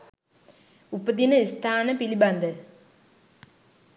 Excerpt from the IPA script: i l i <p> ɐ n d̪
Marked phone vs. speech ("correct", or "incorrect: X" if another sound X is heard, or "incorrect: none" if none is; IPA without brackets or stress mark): incorrect: b